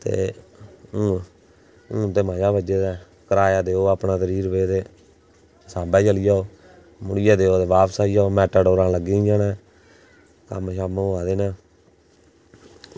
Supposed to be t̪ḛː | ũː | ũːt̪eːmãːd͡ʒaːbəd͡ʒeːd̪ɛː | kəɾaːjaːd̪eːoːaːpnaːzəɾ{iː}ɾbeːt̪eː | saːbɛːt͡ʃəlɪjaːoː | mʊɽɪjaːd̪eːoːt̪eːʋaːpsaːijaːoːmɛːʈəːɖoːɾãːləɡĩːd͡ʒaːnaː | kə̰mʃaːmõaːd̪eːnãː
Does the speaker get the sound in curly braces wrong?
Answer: no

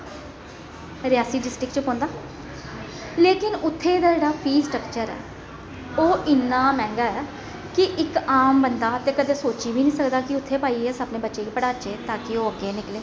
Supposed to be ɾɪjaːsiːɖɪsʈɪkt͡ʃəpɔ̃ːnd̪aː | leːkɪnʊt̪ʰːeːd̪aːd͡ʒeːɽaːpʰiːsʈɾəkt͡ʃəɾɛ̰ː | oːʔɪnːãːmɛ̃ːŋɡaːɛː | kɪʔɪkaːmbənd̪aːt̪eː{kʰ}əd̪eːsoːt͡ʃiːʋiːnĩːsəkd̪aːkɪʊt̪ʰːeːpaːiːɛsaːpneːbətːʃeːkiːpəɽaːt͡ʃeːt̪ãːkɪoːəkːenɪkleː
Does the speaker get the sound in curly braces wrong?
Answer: yes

